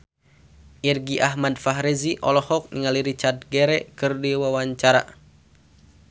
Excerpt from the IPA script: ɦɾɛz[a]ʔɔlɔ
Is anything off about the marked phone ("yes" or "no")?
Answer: yes